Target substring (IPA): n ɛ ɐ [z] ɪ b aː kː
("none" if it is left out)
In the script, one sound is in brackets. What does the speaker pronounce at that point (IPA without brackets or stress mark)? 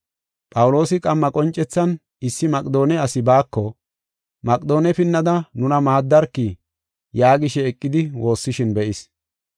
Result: s